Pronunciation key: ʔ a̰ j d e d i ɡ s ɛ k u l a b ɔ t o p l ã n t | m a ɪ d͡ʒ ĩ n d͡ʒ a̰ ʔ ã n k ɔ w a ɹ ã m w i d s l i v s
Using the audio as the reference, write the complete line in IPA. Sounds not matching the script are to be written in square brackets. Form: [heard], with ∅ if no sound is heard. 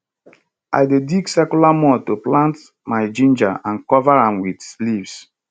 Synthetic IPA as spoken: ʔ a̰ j d e d i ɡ s ɛ k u l a [m] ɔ t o p l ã n t | m a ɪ d͡ʒ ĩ n d͡ʒ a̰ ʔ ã n k ɔ [v] a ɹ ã m w i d s l i v s